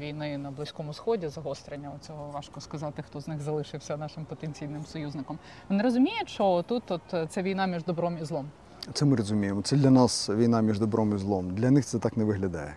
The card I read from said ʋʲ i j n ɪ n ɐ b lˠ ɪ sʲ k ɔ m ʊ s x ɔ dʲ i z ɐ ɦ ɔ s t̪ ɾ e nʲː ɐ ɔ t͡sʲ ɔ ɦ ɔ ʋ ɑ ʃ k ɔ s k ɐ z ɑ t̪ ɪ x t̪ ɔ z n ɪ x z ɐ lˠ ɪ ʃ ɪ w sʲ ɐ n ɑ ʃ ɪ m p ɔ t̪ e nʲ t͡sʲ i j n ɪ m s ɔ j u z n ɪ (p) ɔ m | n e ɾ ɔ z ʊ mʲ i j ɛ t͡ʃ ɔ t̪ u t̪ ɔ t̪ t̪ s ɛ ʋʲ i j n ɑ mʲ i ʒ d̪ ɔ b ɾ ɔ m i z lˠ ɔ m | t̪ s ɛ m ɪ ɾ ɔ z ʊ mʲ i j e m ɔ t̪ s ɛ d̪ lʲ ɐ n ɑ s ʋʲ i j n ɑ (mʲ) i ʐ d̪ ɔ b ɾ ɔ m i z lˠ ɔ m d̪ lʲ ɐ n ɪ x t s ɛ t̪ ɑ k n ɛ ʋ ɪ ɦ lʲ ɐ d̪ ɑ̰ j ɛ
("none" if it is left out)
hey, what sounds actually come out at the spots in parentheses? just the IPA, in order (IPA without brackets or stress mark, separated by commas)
k, mʲ